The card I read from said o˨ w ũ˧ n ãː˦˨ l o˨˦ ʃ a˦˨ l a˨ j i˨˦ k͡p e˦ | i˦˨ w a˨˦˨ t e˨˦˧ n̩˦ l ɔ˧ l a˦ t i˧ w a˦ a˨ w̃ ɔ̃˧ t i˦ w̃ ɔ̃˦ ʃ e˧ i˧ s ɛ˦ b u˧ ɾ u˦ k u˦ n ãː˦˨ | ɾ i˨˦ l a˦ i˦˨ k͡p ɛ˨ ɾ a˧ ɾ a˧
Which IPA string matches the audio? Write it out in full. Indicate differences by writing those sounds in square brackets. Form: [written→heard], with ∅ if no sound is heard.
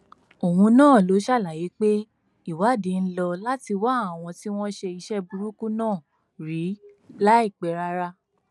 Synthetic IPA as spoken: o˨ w ũ˧ n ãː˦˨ l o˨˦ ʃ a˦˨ l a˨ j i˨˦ k͡p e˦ | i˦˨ w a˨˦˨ [t→d] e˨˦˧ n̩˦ l ɔ˧ l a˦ t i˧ w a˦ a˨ w̃ ɔ̃˧ t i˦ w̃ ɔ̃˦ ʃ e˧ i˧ [s→ʃ] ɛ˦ b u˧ ɾ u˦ k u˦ n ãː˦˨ | ɾ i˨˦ l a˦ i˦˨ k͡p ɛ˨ ɾ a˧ ɾ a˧